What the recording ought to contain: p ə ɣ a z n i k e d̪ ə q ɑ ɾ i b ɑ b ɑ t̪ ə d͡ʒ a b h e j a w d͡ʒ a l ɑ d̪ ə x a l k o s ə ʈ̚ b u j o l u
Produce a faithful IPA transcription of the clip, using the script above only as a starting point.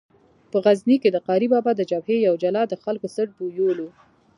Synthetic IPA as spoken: p ə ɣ a z n i k e d̪ ə q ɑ ɾ i b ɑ b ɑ d̪ ə d͡ʒ a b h e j a w d͡ʒ a l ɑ d̪ ə x a l k o s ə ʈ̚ b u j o l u